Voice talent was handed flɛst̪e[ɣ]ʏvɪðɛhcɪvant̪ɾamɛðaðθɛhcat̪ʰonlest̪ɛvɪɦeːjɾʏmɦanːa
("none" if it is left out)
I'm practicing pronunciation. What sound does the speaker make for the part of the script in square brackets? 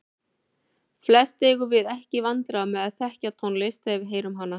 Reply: ɣ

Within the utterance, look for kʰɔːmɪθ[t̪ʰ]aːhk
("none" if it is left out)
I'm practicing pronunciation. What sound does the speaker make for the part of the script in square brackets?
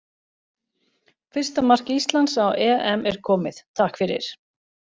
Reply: t̪ʰ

